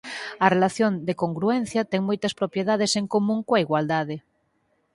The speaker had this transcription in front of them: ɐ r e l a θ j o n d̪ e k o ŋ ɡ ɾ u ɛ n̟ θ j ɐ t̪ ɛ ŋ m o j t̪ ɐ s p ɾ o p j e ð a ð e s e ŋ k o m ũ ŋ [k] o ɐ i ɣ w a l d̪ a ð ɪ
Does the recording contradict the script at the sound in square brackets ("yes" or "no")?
no